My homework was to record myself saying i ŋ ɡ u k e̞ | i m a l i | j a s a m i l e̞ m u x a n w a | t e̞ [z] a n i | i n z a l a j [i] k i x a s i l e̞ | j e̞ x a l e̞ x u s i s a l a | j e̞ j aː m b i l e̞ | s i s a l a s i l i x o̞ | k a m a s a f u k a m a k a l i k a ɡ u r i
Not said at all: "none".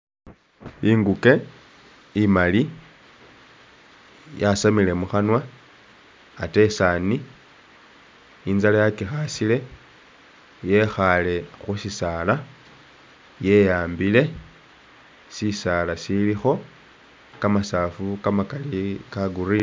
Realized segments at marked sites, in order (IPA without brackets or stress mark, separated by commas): s, a